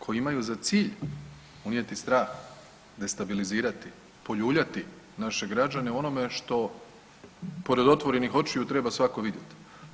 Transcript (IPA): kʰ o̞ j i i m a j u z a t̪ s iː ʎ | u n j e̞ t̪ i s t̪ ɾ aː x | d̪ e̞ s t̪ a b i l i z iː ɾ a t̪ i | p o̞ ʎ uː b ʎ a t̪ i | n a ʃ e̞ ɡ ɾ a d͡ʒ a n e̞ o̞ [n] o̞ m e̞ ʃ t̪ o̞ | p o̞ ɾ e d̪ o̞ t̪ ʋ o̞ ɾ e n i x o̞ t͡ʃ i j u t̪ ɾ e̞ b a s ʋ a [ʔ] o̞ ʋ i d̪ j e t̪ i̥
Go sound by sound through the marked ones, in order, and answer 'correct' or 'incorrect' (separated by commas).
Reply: correct, incorrect